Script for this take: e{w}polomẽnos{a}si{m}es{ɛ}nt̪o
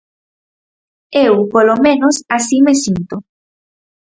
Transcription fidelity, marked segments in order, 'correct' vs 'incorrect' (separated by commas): correct, correct, correct, incorrect